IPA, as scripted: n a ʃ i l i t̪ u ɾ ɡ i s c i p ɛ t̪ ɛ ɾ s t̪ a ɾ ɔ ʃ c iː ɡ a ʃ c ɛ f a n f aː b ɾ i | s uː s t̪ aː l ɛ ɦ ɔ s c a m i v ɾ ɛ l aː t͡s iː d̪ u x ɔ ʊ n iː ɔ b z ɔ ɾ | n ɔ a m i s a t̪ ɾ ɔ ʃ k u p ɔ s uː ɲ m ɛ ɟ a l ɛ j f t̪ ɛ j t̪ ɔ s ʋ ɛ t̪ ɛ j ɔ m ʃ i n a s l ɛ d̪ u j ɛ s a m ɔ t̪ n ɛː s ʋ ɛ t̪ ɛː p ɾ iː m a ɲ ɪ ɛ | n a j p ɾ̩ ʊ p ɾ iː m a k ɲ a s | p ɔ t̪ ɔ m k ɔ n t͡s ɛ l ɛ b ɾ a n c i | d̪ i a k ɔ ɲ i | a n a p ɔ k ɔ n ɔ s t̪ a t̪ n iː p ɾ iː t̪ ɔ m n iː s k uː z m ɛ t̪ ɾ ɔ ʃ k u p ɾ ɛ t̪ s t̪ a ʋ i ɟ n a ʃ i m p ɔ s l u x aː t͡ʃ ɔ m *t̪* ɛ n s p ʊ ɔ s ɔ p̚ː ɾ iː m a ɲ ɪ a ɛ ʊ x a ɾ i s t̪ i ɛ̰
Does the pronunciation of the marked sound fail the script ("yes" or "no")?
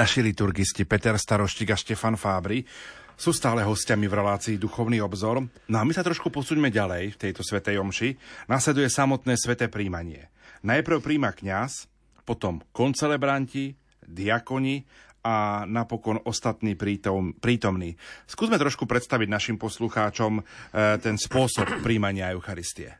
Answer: no